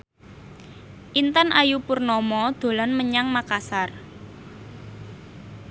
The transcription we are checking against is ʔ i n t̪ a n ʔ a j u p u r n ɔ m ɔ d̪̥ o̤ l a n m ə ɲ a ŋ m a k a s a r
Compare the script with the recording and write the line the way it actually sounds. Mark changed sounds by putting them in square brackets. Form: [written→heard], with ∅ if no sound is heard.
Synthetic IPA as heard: ʔ i n t̪ a n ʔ a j u p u r n ɔ m ɔ d̪̥ o̤ l a n m ə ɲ a ŋ m a k a s a r